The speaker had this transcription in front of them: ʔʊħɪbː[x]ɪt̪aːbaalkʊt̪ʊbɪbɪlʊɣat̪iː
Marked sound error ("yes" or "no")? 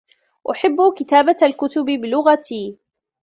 yes